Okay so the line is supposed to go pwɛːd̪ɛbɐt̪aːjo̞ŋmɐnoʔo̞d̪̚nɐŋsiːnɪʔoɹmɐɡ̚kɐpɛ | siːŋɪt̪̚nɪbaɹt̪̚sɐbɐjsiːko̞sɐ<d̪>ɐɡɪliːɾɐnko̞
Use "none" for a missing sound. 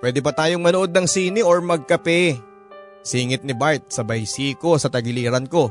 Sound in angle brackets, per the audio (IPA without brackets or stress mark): t̪